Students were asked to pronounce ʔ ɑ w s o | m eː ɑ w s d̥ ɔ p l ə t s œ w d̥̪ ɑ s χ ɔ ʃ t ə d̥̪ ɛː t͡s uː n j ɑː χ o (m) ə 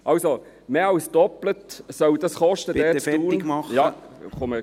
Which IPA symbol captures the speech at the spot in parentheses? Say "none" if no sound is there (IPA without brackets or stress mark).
m